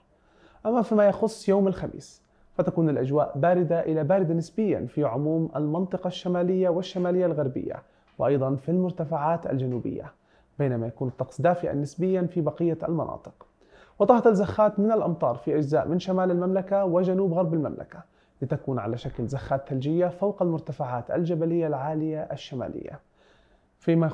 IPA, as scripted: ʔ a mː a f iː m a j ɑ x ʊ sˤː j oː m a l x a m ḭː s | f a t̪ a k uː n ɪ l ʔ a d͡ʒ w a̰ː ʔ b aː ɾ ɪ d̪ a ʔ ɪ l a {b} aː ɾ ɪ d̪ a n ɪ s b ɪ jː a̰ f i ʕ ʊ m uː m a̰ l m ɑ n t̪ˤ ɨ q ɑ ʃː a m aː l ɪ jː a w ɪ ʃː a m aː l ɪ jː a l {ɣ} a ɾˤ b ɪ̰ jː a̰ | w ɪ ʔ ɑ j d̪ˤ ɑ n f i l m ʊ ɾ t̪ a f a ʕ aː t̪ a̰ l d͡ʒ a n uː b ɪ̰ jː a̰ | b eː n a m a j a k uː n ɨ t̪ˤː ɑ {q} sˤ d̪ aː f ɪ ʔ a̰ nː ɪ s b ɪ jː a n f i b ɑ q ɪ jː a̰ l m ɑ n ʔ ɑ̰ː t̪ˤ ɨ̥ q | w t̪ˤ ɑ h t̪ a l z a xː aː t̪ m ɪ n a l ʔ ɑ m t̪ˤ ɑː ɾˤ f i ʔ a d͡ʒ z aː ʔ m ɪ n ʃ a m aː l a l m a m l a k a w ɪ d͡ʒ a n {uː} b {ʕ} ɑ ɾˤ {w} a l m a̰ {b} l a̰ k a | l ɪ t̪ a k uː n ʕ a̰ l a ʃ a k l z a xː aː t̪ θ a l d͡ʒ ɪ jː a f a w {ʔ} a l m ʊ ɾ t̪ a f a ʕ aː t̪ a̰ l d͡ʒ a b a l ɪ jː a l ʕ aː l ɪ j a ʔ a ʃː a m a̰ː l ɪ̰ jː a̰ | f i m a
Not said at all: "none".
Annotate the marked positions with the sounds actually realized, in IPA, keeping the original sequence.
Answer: b, ɣ, q, uː, ɣ, b, m, q

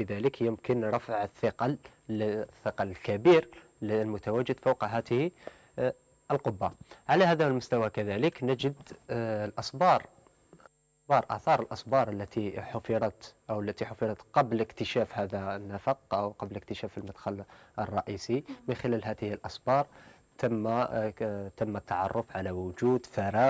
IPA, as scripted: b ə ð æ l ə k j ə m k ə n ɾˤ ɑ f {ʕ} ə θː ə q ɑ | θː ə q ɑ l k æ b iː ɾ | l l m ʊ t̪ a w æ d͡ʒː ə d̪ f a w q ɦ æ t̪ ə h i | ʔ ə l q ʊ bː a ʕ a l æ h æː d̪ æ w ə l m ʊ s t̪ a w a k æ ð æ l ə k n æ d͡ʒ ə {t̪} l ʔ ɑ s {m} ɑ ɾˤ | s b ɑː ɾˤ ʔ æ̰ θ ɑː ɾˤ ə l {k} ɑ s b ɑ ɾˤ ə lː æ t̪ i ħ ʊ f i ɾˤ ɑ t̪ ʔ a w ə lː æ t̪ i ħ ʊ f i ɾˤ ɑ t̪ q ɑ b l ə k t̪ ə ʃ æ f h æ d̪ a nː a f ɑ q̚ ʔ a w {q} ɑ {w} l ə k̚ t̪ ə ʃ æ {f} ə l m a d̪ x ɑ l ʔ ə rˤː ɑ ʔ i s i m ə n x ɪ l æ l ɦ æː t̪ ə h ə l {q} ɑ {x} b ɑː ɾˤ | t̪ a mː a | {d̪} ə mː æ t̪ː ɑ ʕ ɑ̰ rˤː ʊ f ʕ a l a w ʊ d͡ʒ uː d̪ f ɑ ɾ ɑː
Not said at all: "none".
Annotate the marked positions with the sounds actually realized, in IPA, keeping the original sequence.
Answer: ʕ, d̪, b, ʔ, q, b, f, ʔ, s, t̪

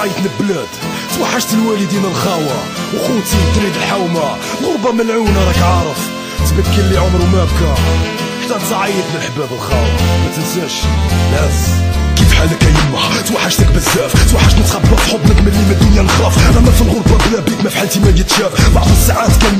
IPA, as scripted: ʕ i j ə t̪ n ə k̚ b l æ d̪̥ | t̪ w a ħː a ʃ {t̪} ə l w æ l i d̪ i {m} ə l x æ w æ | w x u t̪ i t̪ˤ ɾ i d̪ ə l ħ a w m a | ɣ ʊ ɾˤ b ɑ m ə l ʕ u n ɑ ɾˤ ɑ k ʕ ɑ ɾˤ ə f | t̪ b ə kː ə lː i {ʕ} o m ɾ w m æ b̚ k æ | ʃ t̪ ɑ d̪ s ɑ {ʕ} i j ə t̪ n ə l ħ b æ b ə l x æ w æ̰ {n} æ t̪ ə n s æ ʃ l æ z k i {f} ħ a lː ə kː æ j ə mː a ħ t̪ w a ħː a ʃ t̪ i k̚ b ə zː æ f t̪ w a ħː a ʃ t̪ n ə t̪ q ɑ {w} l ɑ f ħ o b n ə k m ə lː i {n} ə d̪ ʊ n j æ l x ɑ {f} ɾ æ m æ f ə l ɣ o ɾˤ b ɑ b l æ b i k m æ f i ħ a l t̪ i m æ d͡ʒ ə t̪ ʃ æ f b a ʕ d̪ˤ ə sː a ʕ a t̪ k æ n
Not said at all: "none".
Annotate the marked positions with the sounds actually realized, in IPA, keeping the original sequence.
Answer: t̪, n, ʕ, ʕ, m, f, b, m, f

